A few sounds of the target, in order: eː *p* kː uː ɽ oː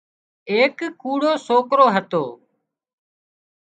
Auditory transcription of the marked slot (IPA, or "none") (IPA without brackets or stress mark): k